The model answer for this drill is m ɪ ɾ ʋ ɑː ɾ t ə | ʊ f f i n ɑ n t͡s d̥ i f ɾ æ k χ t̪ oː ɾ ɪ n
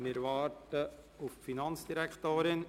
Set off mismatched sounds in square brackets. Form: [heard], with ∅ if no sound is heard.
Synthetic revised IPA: m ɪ ɾ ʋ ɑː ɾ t ə | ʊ f f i n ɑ n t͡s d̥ i [∅] ɾ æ k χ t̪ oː ɾ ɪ n